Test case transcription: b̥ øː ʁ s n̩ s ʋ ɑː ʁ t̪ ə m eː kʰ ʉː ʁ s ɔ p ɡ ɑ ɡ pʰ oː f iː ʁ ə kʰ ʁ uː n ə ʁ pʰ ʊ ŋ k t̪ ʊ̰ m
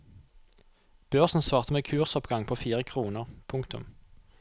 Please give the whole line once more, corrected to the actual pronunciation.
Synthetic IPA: b̥ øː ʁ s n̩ s ʋ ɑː ʁ t̪ ə m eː kʰ ʉː ʁ s ɔ p ɡ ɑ ŋ pʰ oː f iː ʁ ə kʰ ʁ uː n ə ʁ pʰ ʊ ŋ k t̪ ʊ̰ m